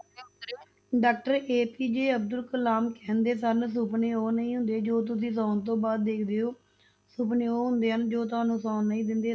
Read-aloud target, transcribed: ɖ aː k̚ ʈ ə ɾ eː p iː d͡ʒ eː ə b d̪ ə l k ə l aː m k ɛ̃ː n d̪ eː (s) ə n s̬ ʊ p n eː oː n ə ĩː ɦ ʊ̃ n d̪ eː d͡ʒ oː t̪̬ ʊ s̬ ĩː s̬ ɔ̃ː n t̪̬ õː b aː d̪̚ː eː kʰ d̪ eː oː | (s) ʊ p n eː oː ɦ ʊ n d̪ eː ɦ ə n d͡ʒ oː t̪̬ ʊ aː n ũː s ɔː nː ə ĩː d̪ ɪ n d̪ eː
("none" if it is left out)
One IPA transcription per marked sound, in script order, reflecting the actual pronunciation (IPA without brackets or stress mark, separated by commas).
s, s